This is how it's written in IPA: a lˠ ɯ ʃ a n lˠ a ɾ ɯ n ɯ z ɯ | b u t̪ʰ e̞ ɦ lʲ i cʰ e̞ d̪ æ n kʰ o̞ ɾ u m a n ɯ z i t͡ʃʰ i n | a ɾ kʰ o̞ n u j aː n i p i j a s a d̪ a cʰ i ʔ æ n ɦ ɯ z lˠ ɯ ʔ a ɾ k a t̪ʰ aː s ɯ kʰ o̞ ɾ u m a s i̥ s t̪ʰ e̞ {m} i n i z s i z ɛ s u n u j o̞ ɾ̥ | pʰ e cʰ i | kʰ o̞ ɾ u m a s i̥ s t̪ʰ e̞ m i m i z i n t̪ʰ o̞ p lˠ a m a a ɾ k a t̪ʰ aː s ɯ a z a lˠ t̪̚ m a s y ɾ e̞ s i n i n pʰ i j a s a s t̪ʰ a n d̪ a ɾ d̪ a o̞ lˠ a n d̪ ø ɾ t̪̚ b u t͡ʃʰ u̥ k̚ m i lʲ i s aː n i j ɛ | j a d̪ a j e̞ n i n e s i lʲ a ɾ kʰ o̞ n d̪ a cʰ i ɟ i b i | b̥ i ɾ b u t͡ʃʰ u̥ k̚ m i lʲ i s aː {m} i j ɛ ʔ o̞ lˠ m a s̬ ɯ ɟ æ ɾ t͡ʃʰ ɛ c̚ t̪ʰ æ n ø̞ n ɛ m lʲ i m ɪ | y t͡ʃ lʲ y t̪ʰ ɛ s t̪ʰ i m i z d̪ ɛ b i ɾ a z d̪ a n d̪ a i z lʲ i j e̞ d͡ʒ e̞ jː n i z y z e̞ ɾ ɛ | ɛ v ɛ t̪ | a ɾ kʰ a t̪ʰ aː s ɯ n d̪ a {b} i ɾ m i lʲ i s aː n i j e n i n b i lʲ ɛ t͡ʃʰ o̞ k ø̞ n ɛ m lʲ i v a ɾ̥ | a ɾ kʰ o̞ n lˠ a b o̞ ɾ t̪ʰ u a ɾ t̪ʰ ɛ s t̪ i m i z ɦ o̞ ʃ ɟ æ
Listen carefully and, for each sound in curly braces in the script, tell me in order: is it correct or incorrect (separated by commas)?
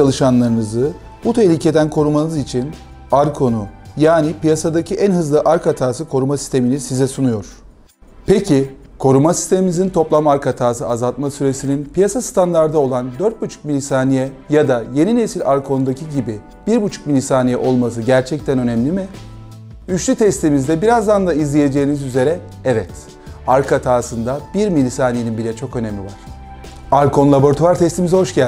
correct, incorrect, correct